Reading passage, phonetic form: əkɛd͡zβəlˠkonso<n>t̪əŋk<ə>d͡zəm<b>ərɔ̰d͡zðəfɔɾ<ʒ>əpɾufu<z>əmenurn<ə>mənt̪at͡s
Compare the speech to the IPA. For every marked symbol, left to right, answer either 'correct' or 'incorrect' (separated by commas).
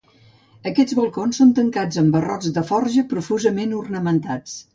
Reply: correct, incorrect, correct, correct, correct, correct